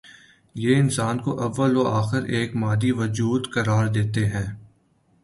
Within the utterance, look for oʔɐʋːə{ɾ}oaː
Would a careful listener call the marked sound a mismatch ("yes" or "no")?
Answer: yes